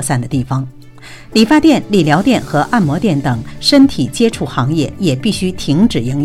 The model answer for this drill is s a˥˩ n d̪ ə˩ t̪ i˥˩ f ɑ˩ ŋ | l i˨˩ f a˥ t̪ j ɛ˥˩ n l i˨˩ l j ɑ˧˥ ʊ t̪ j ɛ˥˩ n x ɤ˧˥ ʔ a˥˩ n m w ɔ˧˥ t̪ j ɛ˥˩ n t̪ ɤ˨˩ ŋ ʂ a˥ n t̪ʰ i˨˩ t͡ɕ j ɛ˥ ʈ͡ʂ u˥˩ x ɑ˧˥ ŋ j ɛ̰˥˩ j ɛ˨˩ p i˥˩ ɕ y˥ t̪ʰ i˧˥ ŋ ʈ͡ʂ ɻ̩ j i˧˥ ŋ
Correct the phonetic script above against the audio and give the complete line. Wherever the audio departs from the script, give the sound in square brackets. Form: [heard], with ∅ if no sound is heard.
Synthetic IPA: s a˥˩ n d̪ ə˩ t̪ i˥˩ f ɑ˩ ŋ | l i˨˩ f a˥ t̪ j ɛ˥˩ n l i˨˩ l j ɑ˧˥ ʊ t̪ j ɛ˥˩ n x ɤ˧˥ ʔ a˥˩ n m w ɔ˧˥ t̪ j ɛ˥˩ n t̪ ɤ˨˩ ŋ ʂ [ə˥] n t̪ʰ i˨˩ t͡ɕ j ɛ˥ [ʈ͡ʂʰ] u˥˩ x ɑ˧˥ ŋ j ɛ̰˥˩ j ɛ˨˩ p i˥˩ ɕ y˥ t̪ʰ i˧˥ ŋ ʈ͡ʂ ɻ̩ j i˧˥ ŋ